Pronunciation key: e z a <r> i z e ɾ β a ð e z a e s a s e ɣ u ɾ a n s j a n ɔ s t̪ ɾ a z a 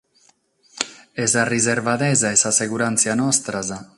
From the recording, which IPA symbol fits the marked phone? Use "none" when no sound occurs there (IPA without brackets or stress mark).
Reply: r